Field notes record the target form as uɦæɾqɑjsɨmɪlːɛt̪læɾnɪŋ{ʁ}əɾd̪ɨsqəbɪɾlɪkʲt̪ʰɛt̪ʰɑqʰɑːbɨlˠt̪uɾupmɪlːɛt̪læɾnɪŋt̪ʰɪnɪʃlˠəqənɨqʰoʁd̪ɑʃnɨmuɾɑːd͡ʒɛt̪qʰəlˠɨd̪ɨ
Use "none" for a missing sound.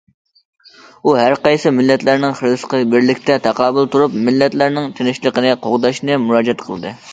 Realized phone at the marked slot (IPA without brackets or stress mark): χ